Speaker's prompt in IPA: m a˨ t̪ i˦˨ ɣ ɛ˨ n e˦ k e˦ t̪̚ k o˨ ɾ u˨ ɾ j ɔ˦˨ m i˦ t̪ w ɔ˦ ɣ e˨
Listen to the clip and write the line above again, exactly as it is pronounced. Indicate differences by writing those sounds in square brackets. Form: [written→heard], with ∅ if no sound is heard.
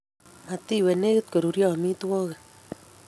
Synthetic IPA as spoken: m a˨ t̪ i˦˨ [ɣ→w] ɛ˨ n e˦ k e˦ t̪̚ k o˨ ɾ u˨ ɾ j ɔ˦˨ m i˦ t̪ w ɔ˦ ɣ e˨